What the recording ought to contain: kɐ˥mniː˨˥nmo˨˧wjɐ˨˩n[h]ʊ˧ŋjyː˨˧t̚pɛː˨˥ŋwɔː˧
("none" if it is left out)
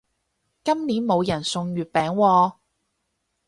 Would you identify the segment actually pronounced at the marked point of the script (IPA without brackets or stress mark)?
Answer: s